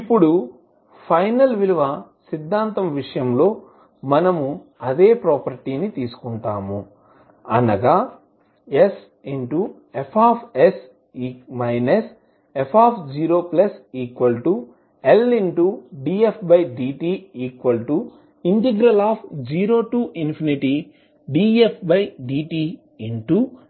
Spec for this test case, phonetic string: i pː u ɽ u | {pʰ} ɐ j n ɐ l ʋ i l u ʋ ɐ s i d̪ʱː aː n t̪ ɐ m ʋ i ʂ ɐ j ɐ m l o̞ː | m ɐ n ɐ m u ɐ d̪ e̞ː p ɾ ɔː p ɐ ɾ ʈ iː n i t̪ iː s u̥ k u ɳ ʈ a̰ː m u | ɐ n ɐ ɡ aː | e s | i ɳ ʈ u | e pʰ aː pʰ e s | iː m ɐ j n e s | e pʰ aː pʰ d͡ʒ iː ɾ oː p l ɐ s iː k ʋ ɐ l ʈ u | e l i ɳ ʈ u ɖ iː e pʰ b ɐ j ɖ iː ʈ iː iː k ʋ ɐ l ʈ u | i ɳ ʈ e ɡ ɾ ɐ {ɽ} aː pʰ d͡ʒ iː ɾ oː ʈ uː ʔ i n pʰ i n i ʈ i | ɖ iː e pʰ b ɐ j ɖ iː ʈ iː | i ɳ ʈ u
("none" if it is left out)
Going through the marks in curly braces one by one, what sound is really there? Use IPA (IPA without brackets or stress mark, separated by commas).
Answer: pʰ, l